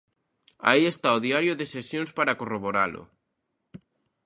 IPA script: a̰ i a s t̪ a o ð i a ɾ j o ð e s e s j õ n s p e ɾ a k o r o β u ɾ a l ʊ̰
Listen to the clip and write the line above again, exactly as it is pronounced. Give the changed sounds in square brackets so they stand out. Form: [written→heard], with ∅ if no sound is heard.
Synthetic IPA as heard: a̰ i [a→e] s t̪ a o ð i a ɾ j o ð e s e s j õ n s p [e→a] ɾ a k o r o β [u→o] ɾ a l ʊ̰